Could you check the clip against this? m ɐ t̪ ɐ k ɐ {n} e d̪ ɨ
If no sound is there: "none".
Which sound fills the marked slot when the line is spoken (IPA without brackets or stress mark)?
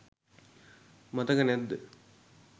n